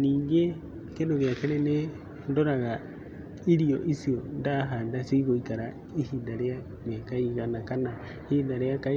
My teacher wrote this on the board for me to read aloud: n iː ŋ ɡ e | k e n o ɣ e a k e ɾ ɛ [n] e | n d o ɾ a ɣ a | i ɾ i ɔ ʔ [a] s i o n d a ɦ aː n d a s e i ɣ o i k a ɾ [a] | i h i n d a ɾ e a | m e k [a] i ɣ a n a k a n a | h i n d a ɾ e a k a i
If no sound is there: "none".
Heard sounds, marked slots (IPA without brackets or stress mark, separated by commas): n, i, a, a